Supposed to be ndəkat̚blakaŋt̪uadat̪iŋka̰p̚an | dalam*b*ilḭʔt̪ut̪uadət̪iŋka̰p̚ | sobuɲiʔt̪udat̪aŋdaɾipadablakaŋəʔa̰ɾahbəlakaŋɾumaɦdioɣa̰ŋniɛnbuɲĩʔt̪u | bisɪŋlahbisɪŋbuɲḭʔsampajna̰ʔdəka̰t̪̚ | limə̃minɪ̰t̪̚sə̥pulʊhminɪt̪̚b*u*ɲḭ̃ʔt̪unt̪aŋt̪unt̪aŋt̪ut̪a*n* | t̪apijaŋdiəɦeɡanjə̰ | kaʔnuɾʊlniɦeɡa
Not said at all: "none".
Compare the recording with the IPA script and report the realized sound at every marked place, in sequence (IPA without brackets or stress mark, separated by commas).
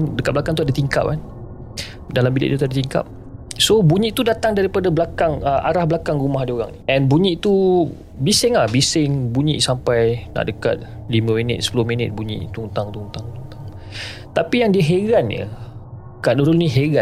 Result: b, u, ŋ